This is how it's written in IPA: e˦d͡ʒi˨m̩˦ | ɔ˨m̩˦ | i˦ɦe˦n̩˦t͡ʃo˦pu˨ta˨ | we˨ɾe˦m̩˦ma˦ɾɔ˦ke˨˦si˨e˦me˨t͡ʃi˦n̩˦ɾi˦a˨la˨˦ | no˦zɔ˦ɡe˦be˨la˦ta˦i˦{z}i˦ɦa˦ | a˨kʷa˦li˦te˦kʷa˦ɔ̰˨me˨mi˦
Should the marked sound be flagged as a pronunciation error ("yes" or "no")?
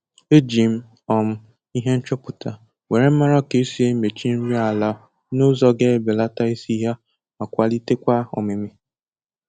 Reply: yes